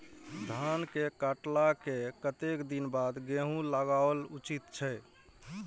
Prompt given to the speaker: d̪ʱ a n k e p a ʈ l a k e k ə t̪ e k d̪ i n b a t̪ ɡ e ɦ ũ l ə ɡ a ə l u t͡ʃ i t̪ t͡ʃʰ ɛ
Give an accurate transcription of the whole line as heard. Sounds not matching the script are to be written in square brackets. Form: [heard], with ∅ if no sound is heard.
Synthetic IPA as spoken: d̪ʱ a n k e [k] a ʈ l a k e k ə t̪ e k d̪ i n b a [d̪] ɡ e ɦ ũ l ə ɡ a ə l u t͡ʃ i t̪ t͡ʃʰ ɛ